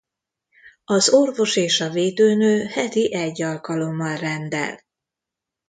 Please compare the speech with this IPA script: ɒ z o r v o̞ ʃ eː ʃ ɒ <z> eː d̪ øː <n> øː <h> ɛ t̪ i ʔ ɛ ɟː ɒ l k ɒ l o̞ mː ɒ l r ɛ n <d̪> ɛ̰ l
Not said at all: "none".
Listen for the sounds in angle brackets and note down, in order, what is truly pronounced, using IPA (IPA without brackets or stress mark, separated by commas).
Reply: v, n, h, d̪